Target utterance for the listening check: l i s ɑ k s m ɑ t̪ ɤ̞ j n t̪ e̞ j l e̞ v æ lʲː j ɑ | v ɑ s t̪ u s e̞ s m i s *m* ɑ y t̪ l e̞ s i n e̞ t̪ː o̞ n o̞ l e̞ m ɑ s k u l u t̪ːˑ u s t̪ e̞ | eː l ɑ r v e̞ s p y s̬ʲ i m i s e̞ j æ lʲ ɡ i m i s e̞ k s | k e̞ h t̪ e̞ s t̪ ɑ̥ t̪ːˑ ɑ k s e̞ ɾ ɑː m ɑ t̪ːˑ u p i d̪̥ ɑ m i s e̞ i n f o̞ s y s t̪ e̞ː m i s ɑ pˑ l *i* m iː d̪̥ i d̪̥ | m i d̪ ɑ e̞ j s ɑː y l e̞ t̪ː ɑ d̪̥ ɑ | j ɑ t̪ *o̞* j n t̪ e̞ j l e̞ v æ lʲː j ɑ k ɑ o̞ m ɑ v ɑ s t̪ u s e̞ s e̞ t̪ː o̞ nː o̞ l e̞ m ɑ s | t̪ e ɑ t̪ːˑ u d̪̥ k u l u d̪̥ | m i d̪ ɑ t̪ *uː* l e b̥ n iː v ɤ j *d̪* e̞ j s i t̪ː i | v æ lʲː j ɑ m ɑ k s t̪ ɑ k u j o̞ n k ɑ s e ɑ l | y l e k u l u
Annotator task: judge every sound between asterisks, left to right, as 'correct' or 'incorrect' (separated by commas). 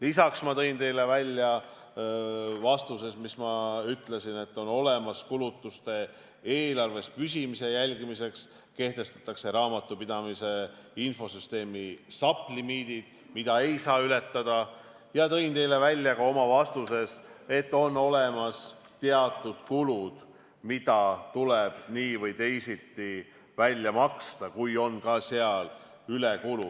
correct, correct, incorrect, incorrect, incorrect